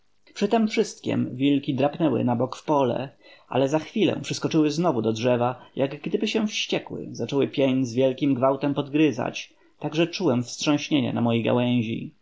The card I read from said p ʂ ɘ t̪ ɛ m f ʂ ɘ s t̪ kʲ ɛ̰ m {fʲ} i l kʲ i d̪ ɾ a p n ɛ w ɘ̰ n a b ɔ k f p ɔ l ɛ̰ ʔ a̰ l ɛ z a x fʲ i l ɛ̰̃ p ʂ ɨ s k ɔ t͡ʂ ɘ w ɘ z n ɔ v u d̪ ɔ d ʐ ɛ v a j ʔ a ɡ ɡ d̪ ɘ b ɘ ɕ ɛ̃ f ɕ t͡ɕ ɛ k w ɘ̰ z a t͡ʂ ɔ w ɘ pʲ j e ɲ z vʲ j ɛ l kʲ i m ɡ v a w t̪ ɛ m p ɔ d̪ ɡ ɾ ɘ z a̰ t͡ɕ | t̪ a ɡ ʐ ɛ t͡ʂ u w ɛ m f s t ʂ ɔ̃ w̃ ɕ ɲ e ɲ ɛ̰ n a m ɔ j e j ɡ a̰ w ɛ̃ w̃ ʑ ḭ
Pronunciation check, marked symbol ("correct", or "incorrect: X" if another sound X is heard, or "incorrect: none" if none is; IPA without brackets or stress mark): incorrect: vʲ